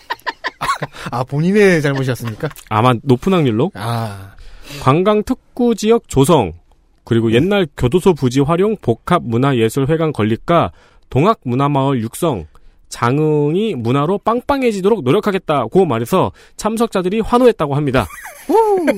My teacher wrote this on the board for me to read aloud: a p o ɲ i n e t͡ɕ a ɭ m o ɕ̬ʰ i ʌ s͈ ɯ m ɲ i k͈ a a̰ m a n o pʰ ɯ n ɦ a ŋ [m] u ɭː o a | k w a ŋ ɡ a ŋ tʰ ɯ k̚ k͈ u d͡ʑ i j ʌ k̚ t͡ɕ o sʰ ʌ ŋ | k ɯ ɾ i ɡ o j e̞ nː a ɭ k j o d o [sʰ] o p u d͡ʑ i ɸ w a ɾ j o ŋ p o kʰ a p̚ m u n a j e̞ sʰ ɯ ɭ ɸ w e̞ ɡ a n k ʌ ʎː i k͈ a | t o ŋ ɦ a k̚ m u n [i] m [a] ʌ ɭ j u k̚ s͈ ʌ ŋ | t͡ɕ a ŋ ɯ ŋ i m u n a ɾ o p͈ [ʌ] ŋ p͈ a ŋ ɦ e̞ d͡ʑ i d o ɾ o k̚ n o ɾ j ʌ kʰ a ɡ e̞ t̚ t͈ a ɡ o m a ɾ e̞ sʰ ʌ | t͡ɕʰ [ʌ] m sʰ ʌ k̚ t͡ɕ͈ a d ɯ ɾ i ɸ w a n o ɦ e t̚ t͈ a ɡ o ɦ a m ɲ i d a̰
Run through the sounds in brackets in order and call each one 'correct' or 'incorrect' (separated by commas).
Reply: incorrect, correct, incorrect, correct, incorrect, incorrect